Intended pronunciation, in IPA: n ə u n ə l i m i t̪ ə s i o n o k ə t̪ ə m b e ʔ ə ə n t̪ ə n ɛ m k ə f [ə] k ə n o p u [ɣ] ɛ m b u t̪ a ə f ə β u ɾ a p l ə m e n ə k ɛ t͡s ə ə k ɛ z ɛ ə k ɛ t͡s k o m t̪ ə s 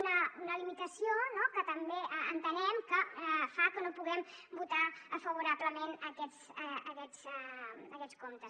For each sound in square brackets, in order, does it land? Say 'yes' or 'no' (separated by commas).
no, yes